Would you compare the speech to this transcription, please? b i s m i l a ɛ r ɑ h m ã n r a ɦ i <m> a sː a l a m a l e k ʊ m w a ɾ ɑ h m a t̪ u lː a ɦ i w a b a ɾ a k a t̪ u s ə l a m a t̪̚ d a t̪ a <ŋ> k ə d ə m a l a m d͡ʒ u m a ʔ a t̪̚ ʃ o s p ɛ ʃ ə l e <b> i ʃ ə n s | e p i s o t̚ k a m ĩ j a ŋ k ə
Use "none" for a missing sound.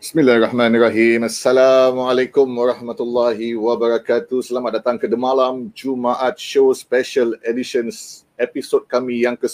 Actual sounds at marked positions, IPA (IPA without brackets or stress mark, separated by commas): m, ŋ, d